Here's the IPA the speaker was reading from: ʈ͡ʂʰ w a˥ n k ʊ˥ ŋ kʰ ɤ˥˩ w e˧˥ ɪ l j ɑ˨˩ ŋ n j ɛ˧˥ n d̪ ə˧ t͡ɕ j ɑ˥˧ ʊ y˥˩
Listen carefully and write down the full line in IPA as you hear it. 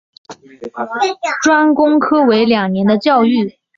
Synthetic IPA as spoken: ʈ͡ʂ w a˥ n k ʊ˥ ŋ kʰ ɤ˥ w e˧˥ ɪ l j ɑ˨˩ ŋ n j ɛ˧˥ n d̪ ə˧ t͡ɕ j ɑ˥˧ ʊ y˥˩

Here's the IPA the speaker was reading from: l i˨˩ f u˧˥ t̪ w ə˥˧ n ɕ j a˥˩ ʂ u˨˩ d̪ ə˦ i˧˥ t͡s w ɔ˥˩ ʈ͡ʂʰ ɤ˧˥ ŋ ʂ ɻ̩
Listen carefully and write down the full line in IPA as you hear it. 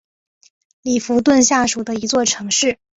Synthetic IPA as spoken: l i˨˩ f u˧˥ t̪ w ə˥˧ n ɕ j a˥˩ ʂ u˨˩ d̪ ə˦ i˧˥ t͡s w ɔ˥˩ ʈ͡ʂʰ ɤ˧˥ ŋ ʂ ɻ̩

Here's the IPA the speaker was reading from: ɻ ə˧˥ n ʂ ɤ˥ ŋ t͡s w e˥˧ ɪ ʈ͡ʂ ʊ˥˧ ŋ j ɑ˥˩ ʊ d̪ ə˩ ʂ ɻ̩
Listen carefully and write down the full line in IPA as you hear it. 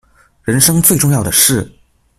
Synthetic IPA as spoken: ɻ ə˧˥ n ʂ ɤ˥ ŋ t͡s w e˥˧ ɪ ʈ͡ʂ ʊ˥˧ ŋ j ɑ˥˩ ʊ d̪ ə˩ ʂ ɻ̩

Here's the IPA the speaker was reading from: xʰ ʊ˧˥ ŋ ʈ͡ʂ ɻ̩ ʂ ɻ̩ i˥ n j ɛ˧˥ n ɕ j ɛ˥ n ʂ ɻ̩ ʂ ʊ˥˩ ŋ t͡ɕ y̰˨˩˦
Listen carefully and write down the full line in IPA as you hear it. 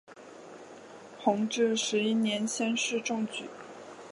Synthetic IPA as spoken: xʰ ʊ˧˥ ŋ ʈ͡ʂ ɻ̩ ʂ ɻ̩ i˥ n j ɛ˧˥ n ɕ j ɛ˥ n ʂ ɻ̩ ʈ͡ʂ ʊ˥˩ ŋ t͡ɕ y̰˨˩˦

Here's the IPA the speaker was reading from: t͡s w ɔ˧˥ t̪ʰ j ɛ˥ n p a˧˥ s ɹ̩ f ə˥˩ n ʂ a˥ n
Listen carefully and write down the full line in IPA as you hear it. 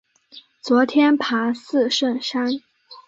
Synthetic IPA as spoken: t͡s w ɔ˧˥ t̪ʰ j ɛ˥ n pʰ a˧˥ s ɹ̩ ʂ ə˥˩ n ʂ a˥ n

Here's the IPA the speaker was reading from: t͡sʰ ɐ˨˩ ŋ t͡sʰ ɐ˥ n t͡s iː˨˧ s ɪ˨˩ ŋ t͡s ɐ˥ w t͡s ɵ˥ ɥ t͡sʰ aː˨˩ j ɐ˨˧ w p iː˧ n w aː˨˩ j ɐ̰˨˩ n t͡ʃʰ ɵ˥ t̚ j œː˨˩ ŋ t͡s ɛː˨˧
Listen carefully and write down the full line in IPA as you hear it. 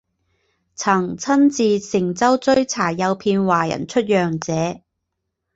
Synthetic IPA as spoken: t͡sʰ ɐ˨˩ ŋ t͡sʰ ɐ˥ n t͡s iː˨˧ s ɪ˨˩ ŋ t͡s ɐ˥ w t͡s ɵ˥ ɥ t͡sʰ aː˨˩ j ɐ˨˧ w pʰ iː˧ n w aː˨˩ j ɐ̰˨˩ n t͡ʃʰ ɵ˥ t̚ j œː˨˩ ŋ t͡s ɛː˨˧

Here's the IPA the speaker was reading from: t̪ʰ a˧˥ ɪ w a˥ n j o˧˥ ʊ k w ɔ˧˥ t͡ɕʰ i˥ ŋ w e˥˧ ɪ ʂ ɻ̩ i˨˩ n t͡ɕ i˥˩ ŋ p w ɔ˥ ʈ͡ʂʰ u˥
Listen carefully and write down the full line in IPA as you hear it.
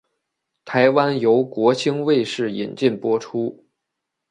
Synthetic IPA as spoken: t̪ʰ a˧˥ ɪ w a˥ n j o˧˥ ʊ k w ɔ˧˥ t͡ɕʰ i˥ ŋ w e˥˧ ɪ ʂ ɻ̩ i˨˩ n t͡ɕ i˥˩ n p w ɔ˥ ʈ͡ʂʰ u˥

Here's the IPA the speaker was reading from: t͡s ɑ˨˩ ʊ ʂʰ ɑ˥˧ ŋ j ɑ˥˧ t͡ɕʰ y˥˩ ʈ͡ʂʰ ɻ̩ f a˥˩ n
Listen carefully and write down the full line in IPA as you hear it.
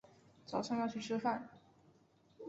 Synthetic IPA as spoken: t͡s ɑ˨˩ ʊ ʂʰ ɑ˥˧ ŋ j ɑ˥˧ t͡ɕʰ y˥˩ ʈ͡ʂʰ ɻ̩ f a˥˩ n

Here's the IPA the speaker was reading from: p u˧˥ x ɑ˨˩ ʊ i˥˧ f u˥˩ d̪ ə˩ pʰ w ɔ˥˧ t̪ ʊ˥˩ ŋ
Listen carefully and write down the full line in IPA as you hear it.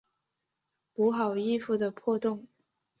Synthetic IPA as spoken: p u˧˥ x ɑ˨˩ ʊ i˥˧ f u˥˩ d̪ ə˩ pʰ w ɔ˥˧ t̪ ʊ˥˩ ŋ

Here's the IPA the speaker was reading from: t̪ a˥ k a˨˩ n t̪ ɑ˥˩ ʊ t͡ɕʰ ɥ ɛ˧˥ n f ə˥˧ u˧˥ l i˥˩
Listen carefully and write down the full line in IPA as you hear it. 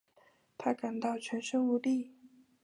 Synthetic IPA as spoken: t̪ʰ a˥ k a˨˩ n t̪ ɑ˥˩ ʊ t͡ɕʰ ɥ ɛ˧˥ n ʂ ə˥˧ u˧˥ l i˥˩

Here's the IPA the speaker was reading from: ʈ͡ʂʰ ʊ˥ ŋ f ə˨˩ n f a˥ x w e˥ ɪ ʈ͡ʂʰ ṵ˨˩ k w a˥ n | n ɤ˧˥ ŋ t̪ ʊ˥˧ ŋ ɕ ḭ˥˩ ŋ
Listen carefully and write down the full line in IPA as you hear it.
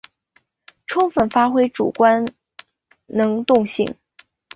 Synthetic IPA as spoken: ʈ͡ʂʰ ʊ˥ ŋ f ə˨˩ n f a˥ x w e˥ ɪ ʈ͡ʂ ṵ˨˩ k w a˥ n | n ɤ˧˥ ŋ t̪ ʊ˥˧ ŋ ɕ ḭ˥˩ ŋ

